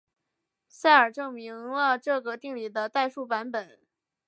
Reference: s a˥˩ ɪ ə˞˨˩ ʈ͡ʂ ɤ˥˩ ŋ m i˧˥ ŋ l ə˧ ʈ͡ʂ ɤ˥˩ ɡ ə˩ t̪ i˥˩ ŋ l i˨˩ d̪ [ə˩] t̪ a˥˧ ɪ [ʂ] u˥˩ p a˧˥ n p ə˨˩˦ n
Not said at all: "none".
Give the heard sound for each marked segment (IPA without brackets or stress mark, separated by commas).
ə˦, ʂ